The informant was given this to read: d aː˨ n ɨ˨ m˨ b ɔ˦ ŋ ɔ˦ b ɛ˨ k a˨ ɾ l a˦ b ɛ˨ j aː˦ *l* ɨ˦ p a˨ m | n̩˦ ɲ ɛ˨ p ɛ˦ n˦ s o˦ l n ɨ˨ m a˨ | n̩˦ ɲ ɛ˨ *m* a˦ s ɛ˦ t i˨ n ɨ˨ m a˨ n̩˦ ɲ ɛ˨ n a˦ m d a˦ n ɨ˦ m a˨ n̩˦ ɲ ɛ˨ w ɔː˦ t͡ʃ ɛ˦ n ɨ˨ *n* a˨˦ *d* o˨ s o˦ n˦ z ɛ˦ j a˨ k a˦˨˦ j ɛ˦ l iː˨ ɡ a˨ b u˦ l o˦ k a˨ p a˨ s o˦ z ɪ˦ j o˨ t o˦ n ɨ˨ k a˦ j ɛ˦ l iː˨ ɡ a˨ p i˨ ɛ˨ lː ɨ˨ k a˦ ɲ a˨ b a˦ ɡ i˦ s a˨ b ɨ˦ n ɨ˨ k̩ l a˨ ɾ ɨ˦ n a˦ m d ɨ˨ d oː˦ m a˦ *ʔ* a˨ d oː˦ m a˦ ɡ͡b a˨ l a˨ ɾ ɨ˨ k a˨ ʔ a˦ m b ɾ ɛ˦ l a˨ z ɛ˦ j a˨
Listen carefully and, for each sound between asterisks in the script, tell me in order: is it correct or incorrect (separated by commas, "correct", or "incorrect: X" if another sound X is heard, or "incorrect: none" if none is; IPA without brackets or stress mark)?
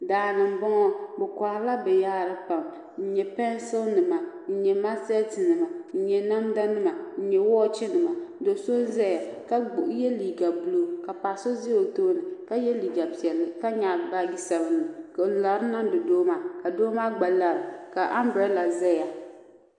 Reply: incorrect: ɾ, correct, incorrect: m, correct, incorrect: k